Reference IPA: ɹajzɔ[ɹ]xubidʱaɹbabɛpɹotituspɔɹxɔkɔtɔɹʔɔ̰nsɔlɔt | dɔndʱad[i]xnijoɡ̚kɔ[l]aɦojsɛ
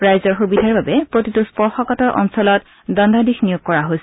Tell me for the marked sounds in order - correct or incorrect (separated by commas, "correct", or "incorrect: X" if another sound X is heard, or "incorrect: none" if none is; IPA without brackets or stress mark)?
correct, correct, incorrect: ɹ